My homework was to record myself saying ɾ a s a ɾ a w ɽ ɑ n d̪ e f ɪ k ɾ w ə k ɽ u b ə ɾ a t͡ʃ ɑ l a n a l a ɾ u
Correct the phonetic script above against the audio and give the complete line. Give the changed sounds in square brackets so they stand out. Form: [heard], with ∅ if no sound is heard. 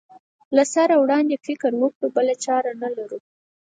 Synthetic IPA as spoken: [l] a s a ɾ a w ɽ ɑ n d̪ e f ɪ k ɾ w ə k ɽ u b ə [l] a t͡ʃ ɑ [ɾ] a n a l a ɾ u